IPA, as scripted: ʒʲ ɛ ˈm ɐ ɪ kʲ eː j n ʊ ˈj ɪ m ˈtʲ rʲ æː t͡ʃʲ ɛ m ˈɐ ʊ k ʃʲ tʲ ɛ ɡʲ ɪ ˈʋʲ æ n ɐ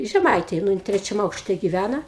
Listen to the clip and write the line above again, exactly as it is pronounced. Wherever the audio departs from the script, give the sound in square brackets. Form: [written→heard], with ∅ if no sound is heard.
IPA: ʒʲ ɛ ˈm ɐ ɪ [kʲ→tʲ] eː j n ʊ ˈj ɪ [m→n] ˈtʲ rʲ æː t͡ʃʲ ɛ m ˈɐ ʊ k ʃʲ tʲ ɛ ɡʲ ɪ ˈʋʲ æ n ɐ